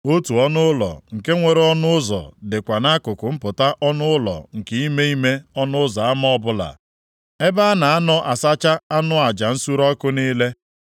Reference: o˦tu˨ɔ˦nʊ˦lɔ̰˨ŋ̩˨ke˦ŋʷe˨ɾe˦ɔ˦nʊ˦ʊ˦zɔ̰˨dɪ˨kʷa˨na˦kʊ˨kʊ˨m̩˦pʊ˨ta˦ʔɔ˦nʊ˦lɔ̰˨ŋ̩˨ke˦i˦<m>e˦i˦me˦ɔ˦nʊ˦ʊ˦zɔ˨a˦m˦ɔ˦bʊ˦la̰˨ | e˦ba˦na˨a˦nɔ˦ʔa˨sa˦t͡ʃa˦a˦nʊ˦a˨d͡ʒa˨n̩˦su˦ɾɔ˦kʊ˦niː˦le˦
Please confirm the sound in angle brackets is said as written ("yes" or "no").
yes